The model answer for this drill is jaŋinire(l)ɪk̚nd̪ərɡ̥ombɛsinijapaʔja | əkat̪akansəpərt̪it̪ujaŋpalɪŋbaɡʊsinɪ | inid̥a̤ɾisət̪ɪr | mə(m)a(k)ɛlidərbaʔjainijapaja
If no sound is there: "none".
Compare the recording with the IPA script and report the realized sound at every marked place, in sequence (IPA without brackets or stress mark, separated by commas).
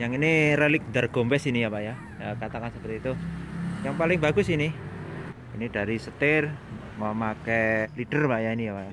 l, m, k